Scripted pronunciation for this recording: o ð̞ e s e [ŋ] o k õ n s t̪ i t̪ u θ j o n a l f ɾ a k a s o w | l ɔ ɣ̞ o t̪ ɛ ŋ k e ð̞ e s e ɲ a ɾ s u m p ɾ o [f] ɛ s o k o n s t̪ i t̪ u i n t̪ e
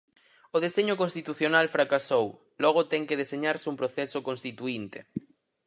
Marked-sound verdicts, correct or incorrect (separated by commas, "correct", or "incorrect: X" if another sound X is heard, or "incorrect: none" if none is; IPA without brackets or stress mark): incorrect: ɲ, incorrect: θ